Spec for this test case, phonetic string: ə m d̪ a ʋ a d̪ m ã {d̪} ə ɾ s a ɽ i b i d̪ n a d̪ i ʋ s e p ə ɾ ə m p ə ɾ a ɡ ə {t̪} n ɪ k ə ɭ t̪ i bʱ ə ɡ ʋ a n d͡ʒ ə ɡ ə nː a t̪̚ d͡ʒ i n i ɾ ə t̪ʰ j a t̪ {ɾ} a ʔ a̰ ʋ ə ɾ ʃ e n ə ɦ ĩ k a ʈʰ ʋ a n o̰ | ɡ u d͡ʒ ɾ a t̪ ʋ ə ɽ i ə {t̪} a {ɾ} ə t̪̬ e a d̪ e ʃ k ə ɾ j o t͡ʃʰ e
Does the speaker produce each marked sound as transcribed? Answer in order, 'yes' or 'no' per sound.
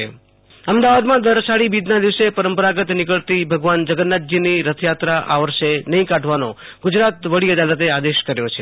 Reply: yes, yes, yes, no, no

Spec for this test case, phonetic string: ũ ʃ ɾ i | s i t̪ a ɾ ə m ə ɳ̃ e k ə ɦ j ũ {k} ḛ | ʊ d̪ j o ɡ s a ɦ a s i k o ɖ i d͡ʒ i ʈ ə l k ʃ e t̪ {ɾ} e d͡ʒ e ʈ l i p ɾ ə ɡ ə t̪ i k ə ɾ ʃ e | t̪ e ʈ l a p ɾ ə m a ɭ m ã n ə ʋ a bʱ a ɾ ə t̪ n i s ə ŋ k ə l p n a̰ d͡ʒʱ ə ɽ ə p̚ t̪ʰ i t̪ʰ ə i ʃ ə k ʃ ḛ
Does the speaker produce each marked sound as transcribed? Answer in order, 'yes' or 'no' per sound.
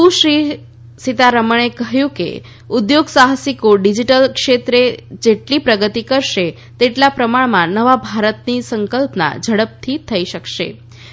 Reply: yes, yes

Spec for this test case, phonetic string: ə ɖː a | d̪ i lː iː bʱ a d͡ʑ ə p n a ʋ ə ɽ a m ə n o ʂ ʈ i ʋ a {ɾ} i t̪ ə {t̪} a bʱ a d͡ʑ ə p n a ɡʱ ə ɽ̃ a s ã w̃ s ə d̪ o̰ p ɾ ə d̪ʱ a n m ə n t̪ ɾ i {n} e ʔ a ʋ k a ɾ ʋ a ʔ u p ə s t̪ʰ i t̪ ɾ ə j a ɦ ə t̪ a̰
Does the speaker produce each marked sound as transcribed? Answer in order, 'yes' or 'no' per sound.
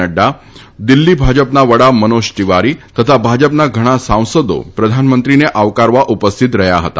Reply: yes, no, yes

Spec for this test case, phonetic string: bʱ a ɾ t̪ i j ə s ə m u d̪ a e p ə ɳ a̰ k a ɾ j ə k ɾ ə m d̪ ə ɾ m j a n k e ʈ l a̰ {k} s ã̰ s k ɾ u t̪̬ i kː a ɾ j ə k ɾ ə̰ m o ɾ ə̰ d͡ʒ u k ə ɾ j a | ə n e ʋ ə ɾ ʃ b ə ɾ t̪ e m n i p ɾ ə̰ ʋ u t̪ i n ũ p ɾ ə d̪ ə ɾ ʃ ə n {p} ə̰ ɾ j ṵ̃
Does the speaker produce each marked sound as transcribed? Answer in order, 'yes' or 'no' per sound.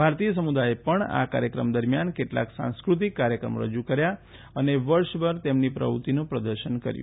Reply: yes, no

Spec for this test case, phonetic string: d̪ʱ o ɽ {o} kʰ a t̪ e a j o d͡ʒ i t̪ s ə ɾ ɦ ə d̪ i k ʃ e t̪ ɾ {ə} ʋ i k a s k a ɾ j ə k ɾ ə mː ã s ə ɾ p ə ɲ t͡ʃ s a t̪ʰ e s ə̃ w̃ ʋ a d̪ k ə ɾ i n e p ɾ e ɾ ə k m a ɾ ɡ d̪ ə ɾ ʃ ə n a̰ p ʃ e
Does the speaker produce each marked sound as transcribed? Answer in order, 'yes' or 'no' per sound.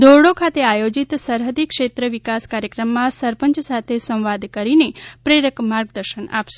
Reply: yes, yes

